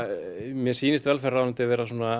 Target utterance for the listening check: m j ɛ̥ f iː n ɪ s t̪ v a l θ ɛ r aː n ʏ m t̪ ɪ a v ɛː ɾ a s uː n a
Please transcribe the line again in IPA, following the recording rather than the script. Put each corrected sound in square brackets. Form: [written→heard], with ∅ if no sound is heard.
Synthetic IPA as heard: m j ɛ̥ [f→s] iː n ɪ s t̪ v [a→ɛ] l [θ→f] ɛ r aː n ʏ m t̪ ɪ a v ɛː ɾ a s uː n a

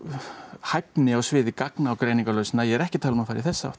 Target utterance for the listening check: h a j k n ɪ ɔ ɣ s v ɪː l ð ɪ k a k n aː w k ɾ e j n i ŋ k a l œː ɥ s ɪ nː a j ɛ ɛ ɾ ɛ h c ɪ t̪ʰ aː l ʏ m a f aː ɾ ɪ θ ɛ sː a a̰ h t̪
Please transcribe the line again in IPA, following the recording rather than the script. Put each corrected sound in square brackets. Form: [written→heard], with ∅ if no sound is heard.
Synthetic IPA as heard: h a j [k→p] n ɪ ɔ ɣ s v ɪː [l→∅] ð ɪ k a k n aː w k ɾ e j n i ŋ k a l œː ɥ s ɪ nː a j ɛ ɛ ɾ ɛ h c ɪ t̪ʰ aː l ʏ m a f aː ɾ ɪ θ ɛ sː a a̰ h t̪

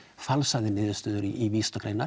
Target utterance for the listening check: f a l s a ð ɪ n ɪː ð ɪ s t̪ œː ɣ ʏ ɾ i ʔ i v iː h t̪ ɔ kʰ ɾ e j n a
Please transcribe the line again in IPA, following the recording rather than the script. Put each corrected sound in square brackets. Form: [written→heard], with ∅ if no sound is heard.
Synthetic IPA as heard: f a l s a ð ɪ n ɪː ð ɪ s t̪ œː [ɣ→ð] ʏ ɾ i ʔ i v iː [h→s] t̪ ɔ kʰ ɾ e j n a

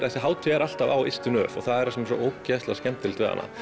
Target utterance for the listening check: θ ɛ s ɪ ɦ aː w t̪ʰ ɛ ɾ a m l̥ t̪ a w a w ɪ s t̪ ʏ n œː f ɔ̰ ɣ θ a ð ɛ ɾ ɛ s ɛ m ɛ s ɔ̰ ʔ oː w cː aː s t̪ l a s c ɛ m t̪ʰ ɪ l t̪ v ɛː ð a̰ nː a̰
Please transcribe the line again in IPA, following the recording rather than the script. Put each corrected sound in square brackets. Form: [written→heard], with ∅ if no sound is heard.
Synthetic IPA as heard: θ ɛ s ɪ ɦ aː w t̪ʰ ɛ ɾ a [m→∅] l̥ t̪ a [w→v] a w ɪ s t̪ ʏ n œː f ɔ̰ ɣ θ a ð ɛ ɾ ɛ s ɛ m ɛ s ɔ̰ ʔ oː w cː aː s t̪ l a s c ɛ m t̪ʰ ɪ l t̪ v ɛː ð a̰ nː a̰

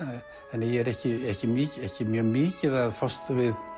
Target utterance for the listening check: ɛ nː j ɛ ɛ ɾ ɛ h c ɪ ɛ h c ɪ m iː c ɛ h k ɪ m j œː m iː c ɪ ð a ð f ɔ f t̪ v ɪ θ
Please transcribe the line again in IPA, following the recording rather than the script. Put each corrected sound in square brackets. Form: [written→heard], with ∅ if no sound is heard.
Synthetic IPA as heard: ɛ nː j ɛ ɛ ɾ ɛ h c ɪ ɛ h c ɪ m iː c ɛ h [k→c] ɪ m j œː m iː c ɪ ð a ð f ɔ [f→s] t̪ v ɪ [θ→ð]

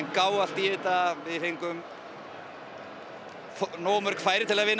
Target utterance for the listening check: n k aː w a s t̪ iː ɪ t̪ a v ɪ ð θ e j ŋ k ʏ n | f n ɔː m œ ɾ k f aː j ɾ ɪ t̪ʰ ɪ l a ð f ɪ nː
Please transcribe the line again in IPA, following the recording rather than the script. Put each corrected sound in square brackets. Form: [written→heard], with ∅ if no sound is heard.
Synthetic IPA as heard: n k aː w a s t̪ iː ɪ t̪ a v ɪ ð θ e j ŋ k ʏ [n→m] | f n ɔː m œ ɾ k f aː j ɾ ɪ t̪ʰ ɪ l a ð [f→v] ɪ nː

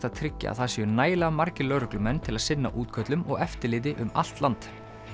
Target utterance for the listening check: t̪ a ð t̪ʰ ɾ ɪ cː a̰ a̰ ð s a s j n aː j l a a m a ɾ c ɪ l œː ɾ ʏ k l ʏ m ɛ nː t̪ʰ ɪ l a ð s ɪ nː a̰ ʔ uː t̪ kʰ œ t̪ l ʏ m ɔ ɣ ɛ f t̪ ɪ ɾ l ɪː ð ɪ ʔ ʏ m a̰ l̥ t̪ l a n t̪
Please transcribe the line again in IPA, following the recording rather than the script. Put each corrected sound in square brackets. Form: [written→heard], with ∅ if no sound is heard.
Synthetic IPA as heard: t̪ a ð t̪ʰ ɾ ɪ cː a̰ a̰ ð [s→θ] a s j n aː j l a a m a ɾ c ɪ l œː ɾ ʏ k l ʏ m ɛ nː t̪ʰ ɪ l a ð s ɪ nː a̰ ʔ uː t̪ kʰ œ t̪ l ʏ m ɔ ɣ ɛ f t̪ ɪ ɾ l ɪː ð ɪ ʔ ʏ m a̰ l̥ t̪ l a n t̪

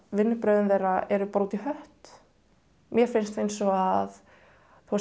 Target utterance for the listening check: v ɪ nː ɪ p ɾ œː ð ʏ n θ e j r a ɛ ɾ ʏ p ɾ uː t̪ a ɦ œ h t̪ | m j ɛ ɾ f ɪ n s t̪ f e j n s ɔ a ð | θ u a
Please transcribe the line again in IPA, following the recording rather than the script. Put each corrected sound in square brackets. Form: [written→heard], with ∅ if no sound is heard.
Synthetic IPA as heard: v ɪ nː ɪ p ɾ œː ð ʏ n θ e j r a ɛ ɾ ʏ p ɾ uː t̪ [a→i] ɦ œ h t̪ | m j ɛ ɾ f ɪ n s t̪ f e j n s ɔ a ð | θ u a

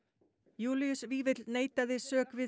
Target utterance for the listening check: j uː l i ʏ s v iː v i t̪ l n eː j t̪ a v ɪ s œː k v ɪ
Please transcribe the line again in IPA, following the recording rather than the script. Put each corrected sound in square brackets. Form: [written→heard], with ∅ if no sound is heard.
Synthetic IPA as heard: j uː l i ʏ s v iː v [i→ɪ] t̪ l n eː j t̪ a [v→ð] ɪ s œː k v ɪ

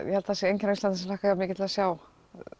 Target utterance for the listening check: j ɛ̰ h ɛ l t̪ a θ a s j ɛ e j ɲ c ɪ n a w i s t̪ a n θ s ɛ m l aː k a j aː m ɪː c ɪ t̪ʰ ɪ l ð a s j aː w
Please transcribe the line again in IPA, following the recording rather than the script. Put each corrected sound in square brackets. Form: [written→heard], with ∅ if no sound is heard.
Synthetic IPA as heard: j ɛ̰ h ɛ l t̪ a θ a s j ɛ e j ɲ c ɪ n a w i s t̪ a n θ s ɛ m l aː k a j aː m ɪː c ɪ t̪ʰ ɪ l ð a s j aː w

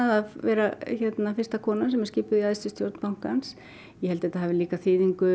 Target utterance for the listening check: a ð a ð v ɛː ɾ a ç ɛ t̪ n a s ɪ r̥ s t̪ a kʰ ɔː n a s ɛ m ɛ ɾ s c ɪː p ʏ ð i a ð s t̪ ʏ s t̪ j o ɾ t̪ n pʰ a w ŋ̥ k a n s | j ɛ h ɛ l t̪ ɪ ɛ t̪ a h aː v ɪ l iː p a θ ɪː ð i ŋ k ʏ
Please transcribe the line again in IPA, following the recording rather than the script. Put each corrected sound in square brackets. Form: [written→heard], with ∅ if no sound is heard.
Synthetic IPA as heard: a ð a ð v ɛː ɾ a ç ɛ t̪ n a [s→f] ɪ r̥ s t̪ a kʰ ɔː n a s ɛ m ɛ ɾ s c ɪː p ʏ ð i a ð s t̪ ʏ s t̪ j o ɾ t̪ n [pʰ→p] a w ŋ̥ k a n s | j ɛ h ɛ l t̪ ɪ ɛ t̪ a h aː v ɪ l iː [p→k] a θ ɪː ð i ŋ k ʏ

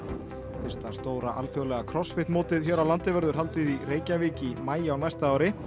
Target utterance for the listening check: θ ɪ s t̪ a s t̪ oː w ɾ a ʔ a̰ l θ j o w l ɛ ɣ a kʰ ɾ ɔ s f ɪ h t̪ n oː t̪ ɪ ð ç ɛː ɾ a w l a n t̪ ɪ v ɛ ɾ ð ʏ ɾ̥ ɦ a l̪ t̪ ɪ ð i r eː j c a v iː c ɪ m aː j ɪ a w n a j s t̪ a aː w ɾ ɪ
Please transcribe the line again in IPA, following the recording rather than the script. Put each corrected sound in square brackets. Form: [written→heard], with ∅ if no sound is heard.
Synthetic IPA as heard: θ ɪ s t̪ a s t̪ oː w ɾ a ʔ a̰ l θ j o w l ɛ ɣ a kʰ ɾ ɔ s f ɪ h t̪ [n→m] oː t̪ ɪ ð ç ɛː ɾ a w l a n t̪ ɪ v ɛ ɾ ð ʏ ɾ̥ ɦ a l̪ t̪ ɪ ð i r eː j c a v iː c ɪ m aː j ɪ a w n a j s t̪ a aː w ɾ ɪ

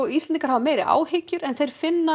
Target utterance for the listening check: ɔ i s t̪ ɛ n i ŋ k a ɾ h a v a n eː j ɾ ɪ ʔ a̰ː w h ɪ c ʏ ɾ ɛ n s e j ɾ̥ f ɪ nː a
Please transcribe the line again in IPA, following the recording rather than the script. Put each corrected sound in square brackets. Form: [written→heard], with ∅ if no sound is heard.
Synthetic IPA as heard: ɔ i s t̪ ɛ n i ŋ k a ɾ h a v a [n→m] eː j ɾ ɪ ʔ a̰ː w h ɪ c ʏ ɾ ɛ n [s→θ] e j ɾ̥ f ɪ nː a

